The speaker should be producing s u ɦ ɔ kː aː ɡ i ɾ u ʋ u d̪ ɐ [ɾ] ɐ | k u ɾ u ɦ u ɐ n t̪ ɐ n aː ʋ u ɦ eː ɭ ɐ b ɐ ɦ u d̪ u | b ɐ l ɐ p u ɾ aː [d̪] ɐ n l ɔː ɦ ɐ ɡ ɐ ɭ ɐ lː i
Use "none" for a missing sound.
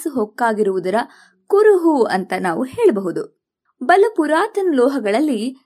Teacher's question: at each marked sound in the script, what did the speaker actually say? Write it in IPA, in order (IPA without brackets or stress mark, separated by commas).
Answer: ɾ, t̪